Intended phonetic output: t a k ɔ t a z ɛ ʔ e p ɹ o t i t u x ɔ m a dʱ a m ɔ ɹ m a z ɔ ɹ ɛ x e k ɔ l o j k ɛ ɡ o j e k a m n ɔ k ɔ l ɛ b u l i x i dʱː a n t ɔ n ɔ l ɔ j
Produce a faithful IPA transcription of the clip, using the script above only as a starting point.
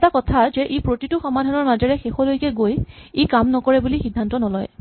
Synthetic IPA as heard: t a k ɔ tʰ a z ɛ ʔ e p ɹ o t i t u x ɔ m a dʱ a n ɔ ɹ m a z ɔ ɹ ɛ x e x ɔ l o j k ɛ ɡ o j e k a m n ɔ k ɔ ɹ ɛ b u l i x i dʱː a n t ɔ n ɔ l ɔ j